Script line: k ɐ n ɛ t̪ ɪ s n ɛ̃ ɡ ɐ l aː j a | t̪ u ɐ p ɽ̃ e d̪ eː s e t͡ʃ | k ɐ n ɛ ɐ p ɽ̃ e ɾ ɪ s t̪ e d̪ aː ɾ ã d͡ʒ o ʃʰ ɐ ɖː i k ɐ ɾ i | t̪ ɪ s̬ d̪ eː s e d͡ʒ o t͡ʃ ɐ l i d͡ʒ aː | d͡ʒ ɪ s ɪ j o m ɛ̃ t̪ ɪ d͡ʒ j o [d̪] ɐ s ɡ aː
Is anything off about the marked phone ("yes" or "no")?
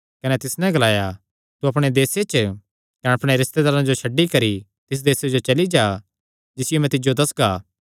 no